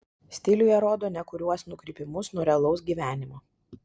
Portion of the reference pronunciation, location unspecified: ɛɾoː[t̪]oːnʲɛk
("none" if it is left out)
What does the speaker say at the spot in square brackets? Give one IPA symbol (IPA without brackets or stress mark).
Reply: d̪